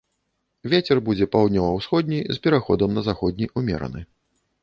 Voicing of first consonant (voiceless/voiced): voiced